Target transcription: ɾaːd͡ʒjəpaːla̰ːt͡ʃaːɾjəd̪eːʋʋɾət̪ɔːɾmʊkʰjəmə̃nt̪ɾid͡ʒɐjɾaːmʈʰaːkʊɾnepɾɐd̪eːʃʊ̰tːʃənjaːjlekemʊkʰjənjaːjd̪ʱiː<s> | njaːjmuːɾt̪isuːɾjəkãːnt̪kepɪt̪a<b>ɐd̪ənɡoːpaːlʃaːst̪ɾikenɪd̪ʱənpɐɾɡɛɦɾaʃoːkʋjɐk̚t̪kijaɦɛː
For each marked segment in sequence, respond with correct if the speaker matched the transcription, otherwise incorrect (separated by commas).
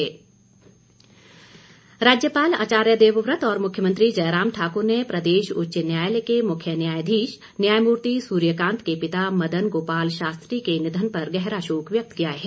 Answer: incorrect, incorrect